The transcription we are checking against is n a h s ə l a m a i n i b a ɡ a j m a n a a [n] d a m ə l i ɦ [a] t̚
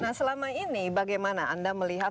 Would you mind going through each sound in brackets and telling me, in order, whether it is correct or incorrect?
correct, correct

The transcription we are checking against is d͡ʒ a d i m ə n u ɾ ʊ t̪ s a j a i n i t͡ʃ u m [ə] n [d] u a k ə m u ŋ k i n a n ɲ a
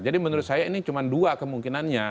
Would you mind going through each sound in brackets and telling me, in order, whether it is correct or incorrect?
incorrect: a, correct

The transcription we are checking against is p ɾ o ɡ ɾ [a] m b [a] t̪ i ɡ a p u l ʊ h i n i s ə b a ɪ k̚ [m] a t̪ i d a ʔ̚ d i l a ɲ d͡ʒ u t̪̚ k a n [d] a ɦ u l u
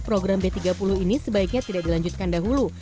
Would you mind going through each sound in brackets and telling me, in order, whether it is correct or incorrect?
correct, incorrect: e, incorrect: ɲ, correct

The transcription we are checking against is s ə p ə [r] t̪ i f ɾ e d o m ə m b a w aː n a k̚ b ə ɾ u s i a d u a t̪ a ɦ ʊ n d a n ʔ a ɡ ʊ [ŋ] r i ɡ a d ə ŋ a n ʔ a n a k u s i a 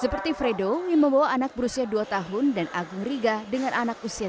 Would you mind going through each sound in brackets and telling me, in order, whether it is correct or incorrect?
correct, correct

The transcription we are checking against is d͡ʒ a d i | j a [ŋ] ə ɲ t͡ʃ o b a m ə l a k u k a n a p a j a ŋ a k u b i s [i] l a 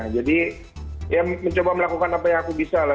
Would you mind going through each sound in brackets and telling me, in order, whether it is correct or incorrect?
incorrect: m, incorrect: a

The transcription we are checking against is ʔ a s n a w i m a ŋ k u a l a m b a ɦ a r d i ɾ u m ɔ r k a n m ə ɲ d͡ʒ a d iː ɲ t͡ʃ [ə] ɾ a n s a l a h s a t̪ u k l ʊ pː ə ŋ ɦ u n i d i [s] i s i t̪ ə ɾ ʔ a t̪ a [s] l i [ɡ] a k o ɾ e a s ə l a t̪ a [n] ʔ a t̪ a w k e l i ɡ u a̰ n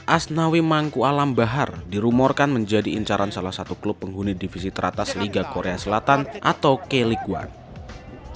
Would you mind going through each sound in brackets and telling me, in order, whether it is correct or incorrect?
incorrect: a, incorrect: f, correct, correct, correct

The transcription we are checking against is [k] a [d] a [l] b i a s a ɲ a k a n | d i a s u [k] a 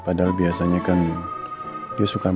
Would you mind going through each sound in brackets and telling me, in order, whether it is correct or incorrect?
incorrect: p, correct, correct, correct

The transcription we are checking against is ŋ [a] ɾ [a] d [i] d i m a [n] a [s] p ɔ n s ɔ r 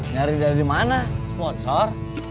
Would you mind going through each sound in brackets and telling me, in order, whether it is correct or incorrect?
correct, incorrect: i, incorrect: a, correct, correct

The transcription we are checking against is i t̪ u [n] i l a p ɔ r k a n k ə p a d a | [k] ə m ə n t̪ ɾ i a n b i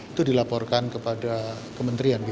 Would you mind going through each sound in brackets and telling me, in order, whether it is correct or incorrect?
incorrect: d, correct

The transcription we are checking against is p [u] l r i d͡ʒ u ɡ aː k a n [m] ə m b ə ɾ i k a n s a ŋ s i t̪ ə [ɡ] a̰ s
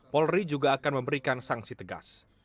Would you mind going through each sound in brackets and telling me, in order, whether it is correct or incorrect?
incorrect: ɔ, correct, correct

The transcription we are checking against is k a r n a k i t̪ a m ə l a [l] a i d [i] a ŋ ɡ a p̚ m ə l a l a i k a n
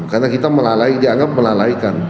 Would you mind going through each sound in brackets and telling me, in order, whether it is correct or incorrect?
correct, correct

